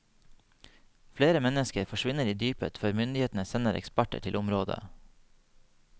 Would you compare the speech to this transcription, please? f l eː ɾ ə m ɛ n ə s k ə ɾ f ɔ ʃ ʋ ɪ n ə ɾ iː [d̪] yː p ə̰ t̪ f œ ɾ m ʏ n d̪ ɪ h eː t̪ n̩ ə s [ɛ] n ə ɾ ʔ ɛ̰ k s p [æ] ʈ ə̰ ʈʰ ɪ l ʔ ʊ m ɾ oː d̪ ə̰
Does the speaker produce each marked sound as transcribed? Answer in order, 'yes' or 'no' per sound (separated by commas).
yes, yes, yes